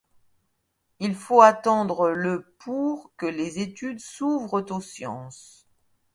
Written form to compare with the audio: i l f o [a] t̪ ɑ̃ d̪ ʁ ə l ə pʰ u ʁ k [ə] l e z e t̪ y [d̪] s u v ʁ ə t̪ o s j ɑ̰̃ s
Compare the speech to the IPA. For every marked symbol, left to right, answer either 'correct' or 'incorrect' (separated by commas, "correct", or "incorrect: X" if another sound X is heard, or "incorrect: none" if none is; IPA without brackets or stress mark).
correct, correct, correct